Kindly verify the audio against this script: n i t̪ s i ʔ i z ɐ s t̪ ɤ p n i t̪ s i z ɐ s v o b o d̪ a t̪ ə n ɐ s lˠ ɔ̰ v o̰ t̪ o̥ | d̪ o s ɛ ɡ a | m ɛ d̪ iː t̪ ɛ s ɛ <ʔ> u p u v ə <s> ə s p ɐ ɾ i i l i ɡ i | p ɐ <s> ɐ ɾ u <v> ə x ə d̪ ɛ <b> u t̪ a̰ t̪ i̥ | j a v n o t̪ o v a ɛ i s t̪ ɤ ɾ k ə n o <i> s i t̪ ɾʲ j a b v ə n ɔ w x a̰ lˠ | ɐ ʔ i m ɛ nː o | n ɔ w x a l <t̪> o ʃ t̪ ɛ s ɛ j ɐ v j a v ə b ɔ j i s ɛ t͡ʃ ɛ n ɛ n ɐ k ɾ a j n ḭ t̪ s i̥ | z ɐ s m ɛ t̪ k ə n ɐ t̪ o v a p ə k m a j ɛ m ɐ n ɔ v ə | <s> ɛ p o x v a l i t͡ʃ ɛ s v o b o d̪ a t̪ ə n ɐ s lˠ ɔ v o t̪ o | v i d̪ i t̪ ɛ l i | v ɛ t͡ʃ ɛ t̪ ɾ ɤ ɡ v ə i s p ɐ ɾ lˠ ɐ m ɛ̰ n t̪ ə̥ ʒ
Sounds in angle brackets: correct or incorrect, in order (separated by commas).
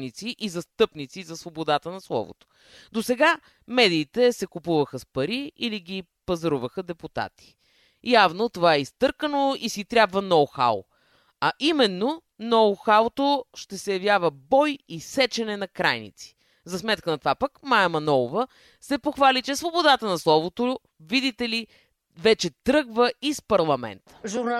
incorrect, incorrect, incorrect, correct, incorrect, correct, correct, correct